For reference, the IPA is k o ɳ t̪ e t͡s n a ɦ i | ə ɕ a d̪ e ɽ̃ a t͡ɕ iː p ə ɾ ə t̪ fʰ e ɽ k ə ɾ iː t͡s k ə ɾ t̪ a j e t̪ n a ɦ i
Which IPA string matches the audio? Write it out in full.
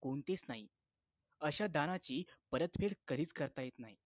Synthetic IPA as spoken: k o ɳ t̪ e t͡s n a ɦ i | ə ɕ a d̪ a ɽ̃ a t͡ɕ iː p ə ɾ ə t̪ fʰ e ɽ k ə ɾ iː t͡s k ə ɾ t̪ a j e t̪ n a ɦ i